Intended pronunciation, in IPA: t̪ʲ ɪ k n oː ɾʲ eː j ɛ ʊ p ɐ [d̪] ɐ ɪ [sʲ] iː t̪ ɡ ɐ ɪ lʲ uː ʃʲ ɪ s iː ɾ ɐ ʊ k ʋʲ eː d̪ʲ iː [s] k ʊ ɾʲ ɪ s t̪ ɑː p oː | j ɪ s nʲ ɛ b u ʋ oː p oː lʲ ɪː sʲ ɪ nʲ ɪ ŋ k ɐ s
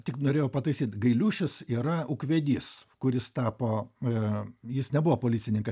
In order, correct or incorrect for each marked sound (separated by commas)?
incorrect, correct, correct